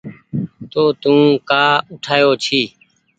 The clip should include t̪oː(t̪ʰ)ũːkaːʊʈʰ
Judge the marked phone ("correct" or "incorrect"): incorrect